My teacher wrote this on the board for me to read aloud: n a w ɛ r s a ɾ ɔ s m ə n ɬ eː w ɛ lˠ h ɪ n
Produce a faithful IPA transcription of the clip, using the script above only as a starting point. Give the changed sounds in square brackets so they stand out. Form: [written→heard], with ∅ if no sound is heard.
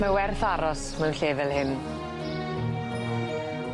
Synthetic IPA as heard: [n→m] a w ɛ r [s→θ] a ɾ ɔ s m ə n ɬ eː [w→v] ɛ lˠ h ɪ n

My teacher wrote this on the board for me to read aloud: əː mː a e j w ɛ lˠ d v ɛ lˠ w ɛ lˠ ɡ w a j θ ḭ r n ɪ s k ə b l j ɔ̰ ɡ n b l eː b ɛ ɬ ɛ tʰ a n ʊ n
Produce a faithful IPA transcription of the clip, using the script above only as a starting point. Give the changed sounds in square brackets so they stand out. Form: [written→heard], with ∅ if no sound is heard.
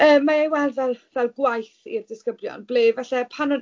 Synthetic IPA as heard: əː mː a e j w ɛ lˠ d v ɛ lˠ [w→v] ɛ lˠ ɡ w a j θ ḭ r [n→d] ɪ s k ə b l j ɔ̰ [ɡ→∅] n b l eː [b→v] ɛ ɬ ɛ [tʰ→pʰ] a n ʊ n

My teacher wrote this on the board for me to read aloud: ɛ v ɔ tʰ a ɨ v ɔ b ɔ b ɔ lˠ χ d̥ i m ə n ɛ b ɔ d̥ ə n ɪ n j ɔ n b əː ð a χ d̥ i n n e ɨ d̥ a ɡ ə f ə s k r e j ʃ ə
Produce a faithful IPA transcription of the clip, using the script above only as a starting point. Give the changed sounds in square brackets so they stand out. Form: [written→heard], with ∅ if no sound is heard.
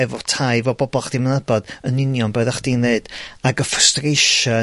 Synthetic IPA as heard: ɛ v ɔ tʰ a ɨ v ɔ b ɔ b ɔ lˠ χ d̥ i m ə n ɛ b ɔ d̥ ə n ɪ n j ɔ n b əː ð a χ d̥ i n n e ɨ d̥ a ɡ ə f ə s [k→t] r e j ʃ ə

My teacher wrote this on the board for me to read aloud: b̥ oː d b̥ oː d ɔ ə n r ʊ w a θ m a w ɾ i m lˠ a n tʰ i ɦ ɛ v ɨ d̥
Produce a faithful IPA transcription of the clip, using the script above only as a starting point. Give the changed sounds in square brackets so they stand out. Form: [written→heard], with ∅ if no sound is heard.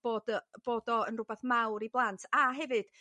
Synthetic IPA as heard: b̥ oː d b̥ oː d ɔ ə n r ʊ [w→b] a θ m a w ɾ i [m→b] lˠ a n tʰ [i→a] ɦ ɛ v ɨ d̥

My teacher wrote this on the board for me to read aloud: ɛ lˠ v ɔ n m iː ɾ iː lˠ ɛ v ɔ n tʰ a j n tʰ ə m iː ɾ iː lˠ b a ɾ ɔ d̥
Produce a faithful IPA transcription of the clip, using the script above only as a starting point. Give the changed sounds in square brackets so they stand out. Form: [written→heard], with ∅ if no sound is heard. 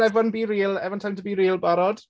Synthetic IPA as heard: ɛ [lˠ→∅] v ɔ n [m→b] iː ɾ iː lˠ ɛ v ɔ n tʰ a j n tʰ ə [m→b] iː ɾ iː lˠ b a ɾ ɔ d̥

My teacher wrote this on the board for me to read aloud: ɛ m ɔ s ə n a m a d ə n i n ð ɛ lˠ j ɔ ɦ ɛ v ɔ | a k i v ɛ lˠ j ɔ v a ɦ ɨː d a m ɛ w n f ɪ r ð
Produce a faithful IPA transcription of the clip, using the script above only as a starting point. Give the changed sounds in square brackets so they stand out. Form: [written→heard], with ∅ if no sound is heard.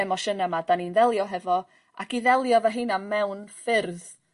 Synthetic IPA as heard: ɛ m ɔ [s→ʃ] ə n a m a d [ə→a] n i n ð ɛ lˠ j ɔ ɦ ɛ v ɔ | a k i [v→ð] ɛ lˠ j ɔ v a ɦ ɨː [d→n] a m ɛ w n f ɪ r ð

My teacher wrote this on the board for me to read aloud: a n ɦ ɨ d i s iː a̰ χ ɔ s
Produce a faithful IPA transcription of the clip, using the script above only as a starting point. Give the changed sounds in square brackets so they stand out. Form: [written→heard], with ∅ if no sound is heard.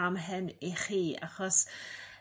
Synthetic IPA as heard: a [n→m] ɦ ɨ [d→n] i [s→χ] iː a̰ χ ɔ s

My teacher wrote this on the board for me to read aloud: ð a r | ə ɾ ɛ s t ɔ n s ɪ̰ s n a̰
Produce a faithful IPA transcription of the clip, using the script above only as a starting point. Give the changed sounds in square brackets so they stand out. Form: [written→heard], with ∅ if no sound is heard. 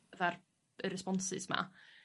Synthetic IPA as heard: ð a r | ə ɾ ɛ s [t→p] ɔ n s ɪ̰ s [n→m] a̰

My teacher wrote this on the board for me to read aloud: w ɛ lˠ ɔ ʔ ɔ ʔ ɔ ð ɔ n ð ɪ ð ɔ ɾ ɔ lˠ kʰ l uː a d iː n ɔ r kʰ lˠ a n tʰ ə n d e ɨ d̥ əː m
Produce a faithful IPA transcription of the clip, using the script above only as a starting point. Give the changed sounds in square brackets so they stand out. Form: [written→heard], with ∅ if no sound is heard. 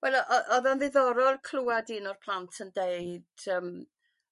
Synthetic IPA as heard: w ɛ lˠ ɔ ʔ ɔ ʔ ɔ ð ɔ n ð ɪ ð ɔ ɾ ɔ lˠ kʰ l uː a d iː n ɔ r [kʰ→pʰ] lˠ a n tʰ ə n d e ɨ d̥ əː m

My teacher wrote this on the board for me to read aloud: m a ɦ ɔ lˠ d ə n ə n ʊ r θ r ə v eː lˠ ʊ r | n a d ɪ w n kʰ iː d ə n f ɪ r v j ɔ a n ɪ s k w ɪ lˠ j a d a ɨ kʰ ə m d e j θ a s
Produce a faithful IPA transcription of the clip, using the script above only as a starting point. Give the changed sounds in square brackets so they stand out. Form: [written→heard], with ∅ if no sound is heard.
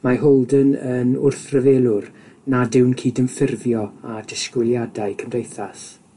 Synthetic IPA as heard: m a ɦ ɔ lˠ d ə n ə n ʊ r θ r ə v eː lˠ ʊ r | n a d ɪ w n kʰ iː d ə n f ɪ r v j ɔ a [n→d] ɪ s k w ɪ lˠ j a d a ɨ kʰ ə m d e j θ a s

